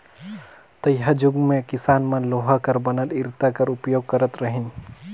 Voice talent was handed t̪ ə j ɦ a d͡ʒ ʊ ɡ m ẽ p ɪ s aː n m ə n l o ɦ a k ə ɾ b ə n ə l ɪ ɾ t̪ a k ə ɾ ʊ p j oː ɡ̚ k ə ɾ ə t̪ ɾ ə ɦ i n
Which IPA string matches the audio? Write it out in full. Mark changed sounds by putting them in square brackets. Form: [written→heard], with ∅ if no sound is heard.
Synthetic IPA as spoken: t̪ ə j ɦ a d͡ʒ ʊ ɡ m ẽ [p→k] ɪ s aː n m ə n l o ɦ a k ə ɾ b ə n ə l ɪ ɾ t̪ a k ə ɾ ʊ p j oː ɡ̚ k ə ɾ ə t̪ ɾ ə ɦ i n